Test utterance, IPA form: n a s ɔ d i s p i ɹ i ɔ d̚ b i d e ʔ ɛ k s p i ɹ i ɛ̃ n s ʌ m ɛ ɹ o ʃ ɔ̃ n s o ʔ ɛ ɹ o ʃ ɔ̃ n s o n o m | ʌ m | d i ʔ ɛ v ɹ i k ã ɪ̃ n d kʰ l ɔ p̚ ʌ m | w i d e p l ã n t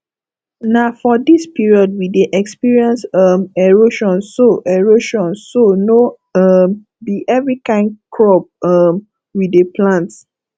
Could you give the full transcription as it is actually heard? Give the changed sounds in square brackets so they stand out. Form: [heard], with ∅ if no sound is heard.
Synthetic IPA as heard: n a [f] ɔ d i s p i ɹ i ɔ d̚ [w] i d e ʔ ɛ k s p i ɹ i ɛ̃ n s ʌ m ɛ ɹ o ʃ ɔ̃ n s o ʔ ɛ ɹ o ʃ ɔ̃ n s o n o [∅] | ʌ m | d i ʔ ɛ v ɹ i k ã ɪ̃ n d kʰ [ɹ] ɔ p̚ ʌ m | w i d e p l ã n t